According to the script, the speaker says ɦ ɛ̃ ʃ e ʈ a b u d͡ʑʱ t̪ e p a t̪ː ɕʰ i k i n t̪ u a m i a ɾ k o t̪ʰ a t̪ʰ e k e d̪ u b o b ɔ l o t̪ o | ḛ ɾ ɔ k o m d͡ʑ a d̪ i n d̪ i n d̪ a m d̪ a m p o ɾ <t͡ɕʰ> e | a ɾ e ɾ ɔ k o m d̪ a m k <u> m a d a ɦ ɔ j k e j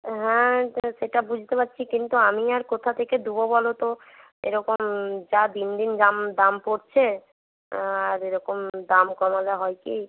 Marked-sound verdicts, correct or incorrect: correct, incorrect: ɔ

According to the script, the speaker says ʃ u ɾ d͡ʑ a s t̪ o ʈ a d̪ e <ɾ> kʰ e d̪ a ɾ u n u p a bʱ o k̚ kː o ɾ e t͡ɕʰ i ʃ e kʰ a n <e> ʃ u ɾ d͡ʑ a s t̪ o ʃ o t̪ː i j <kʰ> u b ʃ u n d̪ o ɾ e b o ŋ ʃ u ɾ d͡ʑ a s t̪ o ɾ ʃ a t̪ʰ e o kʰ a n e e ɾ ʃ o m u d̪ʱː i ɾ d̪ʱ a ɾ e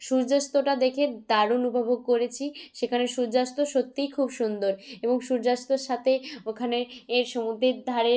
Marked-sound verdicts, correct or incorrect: incorrect: none, correct, correct

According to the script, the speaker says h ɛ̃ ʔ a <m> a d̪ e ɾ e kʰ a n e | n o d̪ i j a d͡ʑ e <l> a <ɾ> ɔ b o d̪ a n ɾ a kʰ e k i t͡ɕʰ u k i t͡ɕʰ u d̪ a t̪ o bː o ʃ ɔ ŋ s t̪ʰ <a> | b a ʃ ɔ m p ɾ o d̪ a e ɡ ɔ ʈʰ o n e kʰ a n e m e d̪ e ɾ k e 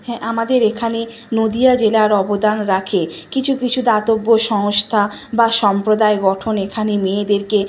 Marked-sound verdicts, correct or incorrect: correct, correct, correct, correct

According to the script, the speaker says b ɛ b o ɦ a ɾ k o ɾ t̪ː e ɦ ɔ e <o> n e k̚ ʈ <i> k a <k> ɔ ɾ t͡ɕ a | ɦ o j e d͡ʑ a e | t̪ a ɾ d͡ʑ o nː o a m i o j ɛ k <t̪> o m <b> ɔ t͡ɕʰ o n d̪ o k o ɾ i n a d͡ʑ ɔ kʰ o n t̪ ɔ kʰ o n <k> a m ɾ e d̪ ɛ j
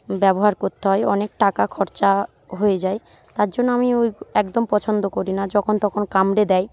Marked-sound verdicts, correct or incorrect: incorrect: ɔ, incorrect: a, incorrect: kʰ, incorrect: d̪, incorrect: p, correct

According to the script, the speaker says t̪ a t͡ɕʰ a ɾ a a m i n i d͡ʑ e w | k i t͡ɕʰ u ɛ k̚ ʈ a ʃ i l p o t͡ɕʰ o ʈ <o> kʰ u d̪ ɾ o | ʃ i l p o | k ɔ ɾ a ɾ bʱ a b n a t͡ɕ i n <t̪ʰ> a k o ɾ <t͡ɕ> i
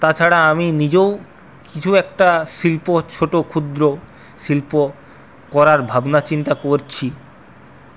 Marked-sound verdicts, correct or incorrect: correct, incorrect: t̪, incorrect: t͡ɕʰ

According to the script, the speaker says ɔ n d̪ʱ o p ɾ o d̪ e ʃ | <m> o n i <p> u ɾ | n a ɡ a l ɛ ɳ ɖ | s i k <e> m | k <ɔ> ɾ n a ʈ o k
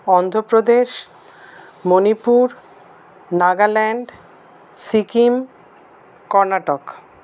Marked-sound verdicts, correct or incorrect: correct, correct, incorrect: i, correct

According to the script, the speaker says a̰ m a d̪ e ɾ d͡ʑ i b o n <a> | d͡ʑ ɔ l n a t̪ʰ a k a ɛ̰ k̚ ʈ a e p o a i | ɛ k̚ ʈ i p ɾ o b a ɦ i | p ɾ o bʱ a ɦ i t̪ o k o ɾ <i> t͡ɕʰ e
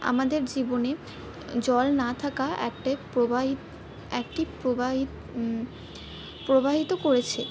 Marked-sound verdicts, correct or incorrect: incorrect: e, incorrect: e

